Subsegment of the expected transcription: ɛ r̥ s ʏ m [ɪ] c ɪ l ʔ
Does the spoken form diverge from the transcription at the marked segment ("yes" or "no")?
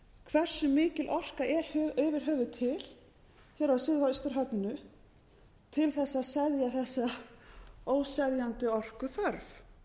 yes